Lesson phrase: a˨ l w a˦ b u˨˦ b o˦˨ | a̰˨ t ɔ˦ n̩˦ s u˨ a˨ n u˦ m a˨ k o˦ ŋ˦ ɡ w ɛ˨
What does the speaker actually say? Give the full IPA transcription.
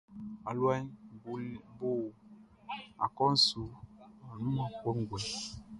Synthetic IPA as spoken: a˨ l w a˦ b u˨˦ b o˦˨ | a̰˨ k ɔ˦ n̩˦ s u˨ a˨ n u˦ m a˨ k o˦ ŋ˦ ɡ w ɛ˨